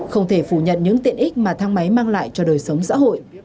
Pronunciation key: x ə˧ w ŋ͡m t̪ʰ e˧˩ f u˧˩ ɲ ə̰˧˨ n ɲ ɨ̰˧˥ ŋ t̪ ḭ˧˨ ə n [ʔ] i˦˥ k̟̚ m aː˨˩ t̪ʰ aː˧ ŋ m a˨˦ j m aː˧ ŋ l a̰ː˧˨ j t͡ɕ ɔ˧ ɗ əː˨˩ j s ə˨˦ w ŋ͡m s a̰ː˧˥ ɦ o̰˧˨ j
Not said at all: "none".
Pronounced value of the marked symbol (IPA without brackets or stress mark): ʔ